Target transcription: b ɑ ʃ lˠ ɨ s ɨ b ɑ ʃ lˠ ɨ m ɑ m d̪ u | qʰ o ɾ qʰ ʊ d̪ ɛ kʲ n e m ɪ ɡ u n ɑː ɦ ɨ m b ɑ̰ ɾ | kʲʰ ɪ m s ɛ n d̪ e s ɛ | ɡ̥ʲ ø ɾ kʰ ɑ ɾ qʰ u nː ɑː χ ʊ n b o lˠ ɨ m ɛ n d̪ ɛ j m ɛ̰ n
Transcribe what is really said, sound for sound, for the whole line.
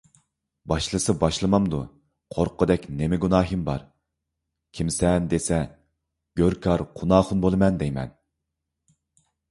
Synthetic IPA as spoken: b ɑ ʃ lˠ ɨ s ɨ b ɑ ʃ lˠ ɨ m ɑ m d̪ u | qʰ o ɾ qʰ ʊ d̪ ɛ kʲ n e m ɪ ɡ u n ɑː ɦ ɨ m b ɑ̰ ɾ | kʲʰ i m s ɛ n d̪ e s ɛ | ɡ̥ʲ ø ɾ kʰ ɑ ɾ qʰ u n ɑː χ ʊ n b o lˠ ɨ m ɛ n d̪ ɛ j m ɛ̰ n

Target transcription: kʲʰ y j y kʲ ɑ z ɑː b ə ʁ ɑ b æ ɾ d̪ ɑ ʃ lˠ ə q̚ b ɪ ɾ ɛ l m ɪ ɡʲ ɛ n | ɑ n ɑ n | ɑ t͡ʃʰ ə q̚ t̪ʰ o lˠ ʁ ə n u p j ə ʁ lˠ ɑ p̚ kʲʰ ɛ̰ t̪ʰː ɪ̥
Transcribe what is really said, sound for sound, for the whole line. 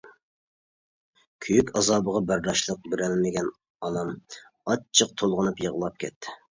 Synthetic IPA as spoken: kʲʰ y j y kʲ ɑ z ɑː b ə ʁ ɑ b æ ɾ d̪ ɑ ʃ lˠ ə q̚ b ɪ ɾ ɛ l m ɪ ɡʲ ɛ n | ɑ n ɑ m | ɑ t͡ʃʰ ə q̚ t̪ʰ o lˠ ʁ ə n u p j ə ʁ lˠ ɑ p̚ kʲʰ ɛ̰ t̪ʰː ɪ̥

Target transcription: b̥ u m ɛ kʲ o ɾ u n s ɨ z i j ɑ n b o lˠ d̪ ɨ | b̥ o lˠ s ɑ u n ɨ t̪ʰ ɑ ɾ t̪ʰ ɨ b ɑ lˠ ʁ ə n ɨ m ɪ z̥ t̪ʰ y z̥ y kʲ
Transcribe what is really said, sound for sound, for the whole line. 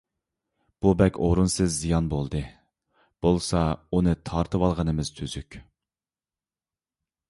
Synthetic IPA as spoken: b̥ u b ɛ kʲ o ɾ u n s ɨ zː i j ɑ n b o lˠ d̪ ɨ | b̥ o lˠ s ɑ u n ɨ t̪ʰ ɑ ɾ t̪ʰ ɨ w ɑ lˠ ʁ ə n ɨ m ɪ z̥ t̪ʰ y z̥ y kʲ

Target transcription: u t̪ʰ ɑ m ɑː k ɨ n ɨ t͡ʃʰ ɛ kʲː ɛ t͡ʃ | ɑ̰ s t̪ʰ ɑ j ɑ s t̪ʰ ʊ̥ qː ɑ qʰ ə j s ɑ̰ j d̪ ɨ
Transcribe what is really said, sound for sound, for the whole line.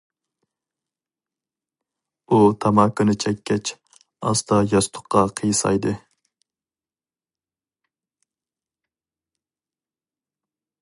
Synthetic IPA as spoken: u t̪ʰ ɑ m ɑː k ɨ n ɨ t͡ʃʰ ɛ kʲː ɛ t͡ʃ | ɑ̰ s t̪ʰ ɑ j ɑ s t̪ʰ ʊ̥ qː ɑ qʰ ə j s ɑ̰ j d̪ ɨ

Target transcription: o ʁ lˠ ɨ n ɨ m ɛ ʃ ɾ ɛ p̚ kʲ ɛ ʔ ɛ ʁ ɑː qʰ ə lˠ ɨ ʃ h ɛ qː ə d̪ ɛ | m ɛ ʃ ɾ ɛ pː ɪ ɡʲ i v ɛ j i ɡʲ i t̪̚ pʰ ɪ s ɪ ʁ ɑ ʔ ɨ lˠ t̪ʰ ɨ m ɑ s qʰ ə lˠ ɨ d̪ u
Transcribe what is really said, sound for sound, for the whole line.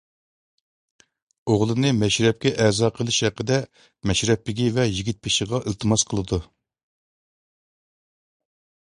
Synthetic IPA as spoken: o ʁ lˠ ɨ n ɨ m ɛ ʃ ɾ ɛ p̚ kʲ ɛ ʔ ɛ z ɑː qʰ ə lˠ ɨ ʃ h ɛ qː ə d̪ ɛ | m ɛ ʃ ɾ ɛ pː ɪ ɡʲ i v ɛ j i ɡʲ i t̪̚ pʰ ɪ ʃ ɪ ʁ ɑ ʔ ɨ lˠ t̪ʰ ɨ m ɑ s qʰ ə lˠ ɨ d̪ u

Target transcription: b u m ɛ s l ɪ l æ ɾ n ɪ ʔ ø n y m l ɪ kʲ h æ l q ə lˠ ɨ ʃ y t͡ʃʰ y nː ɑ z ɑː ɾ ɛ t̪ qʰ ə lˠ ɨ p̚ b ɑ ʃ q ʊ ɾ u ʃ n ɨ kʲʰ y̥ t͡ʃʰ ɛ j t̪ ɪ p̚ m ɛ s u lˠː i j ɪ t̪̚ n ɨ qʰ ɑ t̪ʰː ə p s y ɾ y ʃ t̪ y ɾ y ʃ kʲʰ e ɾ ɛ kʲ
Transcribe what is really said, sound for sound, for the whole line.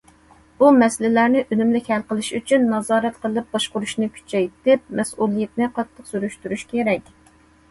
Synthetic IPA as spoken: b u m ɛ s l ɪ l æ ɾ n ɪ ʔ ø n y m l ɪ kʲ h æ l q ə lˠ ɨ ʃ y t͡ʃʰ y nː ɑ z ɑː ɾ ɛ t̪ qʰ ə lˠ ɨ p̚ b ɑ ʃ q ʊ ɾ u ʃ n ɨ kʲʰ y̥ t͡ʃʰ ɛ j t̪ ɪ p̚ m ɛ s u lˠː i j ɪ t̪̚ n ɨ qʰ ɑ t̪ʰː ə q s y ɾ y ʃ t̪ y ɾ y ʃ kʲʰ e ɾ ɛ kʲ

